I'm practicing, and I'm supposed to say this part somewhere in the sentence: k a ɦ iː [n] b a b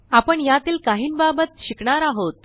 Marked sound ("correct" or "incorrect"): correct